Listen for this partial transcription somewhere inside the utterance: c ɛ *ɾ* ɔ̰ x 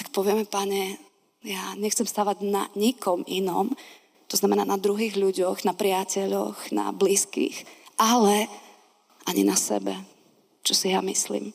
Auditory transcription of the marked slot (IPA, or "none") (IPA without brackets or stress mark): ʎ